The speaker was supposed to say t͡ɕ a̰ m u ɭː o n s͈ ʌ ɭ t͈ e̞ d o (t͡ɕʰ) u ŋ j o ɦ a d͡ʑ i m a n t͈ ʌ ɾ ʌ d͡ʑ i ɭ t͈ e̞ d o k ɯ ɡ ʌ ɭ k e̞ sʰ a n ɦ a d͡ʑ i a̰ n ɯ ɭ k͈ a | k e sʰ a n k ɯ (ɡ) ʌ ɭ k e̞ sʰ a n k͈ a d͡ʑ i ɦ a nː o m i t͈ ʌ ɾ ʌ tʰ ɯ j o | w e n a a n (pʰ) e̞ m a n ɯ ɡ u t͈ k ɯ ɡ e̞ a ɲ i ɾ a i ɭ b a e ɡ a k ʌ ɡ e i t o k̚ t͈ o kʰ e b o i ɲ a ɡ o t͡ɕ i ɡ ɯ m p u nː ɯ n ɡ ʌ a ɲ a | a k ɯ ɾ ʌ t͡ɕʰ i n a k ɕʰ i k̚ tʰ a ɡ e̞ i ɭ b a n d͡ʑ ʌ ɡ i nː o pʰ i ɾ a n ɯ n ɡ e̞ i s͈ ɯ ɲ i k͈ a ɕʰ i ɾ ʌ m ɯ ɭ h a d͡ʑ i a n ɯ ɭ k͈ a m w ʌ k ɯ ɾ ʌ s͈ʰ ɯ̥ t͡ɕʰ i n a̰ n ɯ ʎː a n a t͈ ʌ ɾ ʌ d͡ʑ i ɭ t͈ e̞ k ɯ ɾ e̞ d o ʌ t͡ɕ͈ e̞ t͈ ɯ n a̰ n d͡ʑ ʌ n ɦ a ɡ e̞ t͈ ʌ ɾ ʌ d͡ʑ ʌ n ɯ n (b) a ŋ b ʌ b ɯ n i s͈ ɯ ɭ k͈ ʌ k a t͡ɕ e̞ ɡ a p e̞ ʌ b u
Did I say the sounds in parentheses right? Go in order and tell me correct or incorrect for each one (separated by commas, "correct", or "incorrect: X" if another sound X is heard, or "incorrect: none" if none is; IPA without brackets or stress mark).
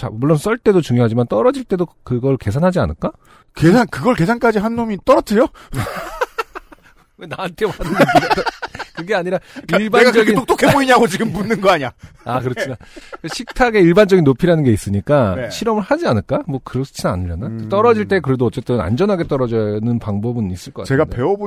incorrect: t͡ɕ, correct, incorrect: tʰ, incorrect: p